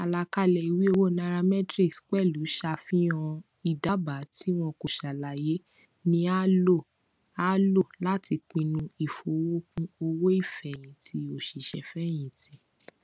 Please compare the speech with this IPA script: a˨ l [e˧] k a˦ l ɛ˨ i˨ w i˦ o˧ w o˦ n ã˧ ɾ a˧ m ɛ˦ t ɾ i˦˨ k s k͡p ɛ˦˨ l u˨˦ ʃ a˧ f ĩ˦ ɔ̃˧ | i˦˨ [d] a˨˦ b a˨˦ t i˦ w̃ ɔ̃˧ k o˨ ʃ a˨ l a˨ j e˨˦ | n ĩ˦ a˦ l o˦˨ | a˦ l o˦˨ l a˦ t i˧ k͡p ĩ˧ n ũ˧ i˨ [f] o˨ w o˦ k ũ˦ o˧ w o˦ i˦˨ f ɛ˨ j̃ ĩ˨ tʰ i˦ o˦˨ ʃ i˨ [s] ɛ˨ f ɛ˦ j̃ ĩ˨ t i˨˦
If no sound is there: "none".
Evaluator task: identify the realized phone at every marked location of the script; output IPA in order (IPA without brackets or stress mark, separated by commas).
a˧, d, f, ʃ